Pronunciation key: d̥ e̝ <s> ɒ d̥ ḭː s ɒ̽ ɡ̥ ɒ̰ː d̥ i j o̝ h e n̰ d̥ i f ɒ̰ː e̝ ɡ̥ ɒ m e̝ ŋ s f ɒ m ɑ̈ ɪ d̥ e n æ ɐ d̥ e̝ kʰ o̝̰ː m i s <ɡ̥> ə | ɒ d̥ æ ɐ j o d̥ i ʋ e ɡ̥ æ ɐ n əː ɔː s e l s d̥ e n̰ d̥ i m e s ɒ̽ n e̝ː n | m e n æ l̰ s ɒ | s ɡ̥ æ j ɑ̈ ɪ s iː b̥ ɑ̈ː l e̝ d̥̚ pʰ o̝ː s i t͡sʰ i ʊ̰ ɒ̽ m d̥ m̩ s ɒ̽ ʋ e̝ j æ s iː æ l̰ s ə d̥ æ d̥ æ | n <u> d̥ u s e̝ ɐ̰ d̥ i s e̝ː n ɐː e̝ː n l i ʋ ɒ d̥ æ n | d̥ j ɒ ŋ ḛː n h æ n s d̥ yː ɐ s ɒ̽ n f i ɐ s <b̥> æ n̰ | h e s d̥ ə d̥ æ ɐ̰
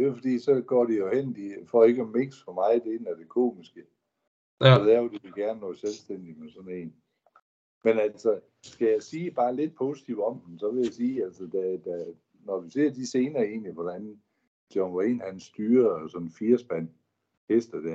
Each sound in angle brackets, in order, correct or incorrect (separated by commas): incorrect, correct, incorrect, correct